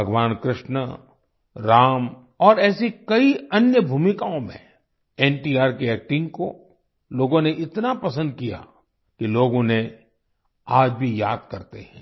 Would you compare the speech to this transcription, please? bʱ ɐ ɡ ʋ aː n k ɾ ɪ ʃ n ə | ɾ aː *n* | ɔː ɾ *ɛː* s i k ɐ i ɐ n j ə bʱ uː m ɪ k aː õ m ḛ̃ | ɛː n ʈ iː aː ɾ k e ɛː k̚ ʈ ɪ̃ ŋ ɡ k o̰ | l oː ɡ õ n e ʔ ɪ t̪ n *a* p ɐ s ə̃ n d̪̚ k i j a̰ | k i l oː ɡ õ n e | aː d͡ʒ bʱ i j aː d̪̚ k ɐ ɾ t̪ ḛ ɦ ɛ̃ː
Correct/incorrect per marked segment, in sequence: incorrect: m, correct, correct

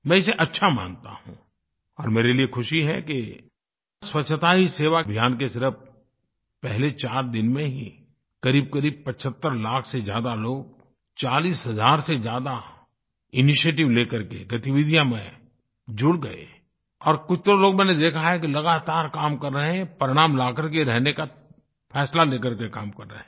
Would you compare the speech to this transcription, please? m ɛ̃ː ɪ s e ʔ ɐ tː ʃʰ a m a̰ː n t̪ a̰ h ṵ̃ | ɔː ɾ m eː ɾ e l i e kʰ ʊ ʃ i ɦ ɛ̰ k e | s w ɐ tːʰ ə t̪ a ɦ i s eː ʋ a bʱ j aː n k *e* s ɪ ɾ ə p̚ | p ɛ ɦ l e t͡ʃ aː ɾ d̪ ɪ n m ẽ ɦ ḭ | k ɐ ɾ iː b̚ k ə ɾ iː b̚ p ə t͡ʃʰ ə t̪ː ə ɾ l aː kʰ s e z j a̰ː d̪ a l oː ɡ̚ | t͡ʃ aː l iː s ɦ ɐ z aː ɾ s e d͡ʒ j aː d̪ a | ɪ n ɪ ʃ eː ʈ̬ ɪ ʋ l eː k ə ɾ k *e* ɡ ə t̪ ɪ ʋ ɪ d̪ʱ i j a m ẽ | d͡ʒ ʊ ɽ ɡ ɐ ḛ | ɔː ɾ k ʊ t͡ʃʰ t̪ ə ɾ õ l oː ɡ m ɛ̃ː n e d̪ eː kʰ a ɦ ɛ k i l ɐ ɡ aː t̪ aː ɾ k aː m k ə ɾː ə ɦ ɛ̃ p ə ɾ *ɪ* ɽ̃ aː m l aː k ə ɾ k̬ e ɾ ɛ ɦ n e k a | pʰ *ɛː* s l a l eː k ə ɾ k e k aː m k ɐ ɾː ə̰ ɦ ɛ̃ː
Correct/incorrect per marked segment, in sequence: correct, correct, correct, correct

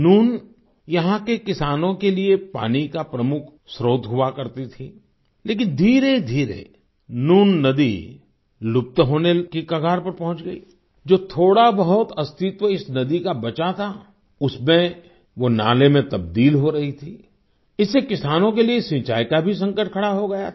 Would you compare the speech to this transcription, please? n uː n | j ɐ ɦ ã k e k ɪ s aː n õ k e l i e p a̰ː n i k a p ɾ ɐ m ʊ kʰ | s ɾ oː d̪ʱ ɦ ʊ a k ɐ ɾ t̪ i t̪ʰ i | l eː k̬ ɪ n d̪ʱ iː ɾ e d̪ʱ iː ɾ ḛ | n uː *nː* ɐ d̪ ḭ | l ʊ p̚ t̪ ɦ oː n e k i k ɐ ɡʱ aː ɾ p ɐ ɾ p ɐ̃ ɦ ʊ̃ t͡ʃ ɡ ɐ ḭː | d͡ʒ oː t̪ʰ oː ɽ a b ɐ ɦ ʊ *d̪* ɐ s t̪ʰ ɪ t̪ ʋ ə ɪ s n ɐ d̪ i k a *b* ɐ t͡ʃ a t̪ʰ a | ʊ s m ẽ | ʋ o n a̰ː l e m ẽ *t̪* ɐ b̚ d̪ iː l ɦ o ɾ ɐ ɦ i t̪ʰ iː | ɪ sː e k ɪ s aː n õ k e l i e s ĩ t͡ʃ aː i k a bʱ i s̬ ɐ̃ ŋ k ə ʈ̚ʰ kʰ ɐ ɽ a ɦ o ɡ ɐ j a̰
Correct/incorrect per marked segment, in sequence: correct, incorrect: t̪, correct, correct

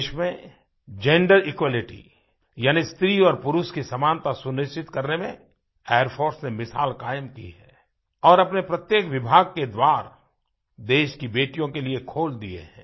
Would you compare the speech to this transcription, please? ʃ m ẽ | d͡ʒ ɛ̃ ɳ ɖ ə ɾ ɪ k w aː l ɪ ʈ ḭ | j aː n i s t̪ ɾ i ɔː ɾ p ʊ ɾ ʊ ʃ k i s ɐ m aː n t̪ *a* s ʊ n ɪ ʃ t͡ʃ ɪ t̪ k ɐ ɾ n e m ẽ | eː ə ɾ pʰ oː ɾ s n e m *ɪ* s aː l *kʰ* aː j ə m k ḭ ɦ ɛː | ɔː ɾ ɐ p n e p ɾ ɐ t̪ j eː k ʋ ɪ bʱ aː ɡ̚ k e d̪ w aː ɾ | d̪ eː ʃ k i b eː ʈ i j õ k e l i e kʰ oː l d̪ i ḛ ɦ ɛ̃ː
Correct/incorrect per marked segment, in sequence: correct, correct, incorrect: k

